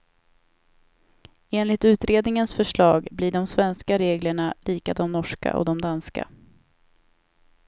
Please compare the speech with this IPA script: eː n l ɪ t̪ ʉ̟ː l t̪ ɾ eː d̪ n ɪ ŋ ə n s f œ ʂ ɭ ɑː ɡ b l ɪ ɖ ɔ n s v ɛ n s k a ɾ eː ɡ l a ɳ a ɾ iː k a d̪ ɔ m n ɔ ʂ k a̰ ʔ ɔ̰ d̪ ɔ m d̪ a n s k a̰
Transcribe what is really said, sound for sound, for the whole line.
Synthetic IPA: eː n l ɪ t̪ ʉ̟ː t̪ ɾ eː d̪ n ɪ ŋ ə n s f œ ʂ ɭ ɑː ɡ b l ɪ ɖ ɔ m s v ɛ n s k a ɾ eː ɡ l ə ɳ a l iː k a d̪ ɔ m n ɔ ʂ k a̰ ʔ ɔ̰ d̪ ɔ m d̪ a n s k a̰